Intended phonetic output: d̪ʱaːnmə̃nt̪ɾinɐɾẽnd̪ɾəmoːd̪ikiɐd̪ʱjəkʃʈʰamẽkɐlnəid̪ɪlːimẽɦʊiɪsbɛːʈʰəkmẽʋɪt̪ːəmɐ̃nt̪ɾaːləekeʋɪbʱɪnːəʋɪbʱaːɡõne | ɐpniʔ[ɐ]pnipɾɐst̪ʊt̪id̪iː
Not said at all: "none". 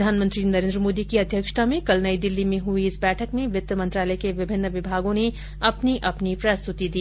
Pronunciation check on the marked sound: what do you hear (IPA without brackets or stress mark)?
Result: ɐ